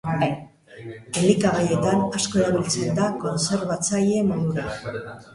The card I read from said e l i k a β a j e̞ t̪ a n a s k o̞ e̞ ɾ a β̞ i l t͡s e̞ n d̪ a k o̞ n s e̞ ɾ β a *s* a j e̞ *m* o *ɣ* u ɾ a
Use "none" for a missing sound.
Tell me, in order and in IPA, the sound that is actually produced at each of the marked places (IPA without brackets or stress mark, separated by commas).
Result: t͡s, m, ð